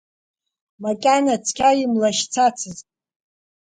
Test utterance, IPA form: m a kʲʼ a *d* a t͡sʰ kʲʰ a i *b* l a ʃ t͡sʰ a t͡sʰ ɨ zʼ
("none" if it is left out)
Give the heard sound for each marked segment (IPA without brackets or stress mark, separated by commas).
n, m